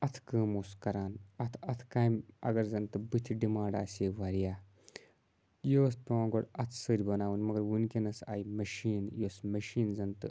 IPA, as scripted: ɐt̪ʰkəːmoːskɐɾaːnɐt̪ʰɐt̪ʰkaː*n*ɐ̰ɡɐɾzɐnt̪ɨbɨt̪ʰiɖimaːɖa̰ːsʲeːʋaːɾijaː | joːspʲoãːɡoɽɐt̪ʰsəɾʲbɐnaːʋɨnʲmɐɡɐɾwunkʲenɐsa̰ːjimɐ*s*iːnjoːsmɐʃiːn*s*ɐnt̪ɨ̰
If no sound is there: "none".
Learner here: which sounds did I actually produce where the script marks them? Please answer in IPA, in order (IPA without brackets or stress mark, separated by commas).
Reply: m, ʃ, z